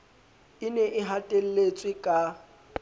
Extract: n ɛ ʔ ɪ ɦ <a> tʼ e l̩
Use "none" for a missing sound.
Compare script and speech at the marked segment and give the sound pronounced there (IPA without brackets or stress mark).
a